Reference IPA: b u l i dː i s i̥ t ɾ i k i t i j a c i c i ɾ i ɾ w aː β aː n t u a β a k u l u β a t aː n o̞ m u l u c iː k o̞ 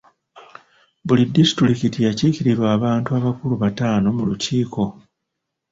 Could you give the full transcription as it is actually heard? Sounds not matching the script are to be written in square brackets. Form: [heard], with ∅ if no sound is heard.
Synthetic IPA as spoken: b u l i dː i s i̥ t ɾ i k i t i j a c i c i ɾ i ɾ w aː β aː n t u a β a k u l u β a t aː n o̞ m u l u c iː k o̞